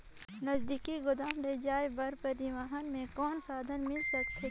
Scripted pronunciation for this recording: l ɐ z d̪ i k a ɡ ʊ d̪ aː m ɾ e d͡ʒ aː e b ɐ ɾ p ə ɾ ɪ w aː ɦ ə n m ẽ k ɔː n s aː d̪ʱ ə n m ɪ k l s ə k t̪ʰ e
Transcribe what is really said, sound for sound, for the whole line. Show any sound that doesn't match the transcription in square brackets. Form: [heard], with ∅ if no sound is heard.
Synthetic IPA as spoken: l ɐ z d̪ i k [i] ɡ ʊ d̪ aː m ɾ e d͡ʒ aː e b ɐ ɾ p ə ɾ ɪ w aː ɦ ə n m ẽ k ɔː n s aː d̪ʱ ə n m ɪ [∅] l s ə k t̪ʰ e